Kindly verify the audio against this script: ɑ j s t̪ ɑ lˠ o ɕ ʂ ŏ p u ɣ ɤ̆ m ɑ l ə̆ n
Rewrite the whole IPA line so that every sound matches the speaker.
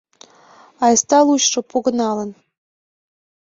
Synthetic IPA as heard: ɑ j s t̪ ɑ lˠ u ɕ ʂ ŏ p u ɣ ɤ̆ n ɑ l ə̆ n

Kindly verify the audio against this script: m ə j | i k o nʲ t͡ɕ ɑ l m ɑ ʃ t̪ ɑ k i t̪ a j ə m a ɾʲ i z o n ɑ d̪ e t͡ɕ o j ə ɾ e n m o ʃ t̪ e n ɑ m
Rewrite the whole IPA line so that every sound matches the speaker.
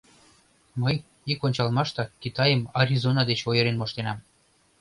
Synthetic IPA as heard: m ə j | i k o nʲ t͡ɕ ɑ l m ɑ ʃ t̪ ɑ k i t̪ ɑ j ə m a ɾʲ i z o n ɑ d̪ e t͡ɕ o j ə ɾ e n m o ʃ t̪ e n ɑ m

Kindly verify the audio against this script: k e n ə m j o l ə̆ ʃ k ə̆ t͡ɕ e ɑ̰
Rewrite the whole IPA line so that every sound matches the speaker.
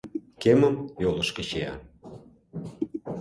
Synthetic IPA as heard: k e m ə m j o l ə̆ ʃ k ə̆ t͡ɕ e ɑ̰

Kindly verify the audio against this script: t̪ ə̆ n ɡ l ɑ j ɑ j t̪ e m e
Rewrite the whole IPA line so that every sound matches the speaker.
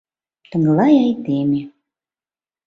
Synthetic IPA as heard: t̪ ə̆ ŋ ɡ l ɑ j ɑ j t̪ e m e

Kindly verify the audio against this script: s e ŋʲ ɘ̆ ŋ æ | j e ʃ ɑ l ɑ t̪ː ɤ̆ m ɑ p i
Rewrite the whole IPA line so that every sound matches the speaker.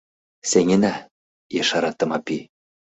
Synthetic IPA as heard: s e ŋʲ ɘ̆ n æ | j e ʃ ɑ ɾ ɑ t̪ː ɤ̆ m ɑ p i

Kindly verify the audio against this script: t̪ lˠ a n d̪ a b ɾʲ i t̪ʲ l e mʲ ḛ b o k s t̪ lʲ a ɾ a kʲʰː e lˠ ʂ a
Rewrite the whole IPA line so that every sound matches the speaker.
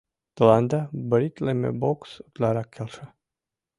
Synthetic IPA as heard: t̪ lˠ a n d̪ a b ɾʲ i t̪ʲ l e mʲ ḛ b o k s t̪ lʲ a ɾ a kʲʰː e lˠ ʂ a

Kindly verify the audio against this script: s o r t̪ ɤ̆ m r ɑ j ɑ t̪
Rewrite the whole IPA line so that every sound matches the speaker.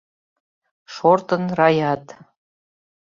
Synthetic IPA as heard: ʃ o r t̪ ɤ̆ n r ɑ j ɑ t̪

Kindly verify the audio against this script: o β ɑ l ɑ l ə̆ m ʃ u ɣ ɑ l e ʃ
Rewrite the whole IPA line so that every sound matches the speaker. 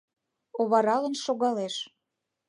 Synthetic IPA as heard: o β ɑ ɾ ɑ l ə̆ n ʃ o ɣ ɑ l e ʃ

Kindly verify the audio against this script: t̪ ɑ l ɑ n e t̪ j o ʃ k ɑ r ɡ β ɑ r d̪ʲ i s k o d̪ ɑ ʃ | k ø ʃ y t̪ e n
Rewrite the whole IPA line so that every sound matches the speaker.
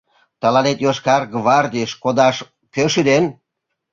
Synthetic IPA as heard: t̪ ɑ l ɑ n e t̪ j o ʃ k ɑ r ɡ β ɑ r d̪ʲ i ʃ k o d̪ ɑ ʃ | k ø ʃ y d̪ e n

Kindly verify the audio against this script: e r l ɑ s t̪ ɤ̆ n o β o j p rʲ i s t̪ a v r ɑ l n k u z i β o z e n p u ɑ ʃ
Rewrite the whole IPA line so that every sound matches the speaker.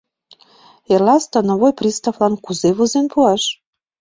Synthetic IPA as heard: e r l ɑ s t̪ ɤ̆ n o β o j p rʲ i s t̪ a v l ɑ n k u z e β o z e n p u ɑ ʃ

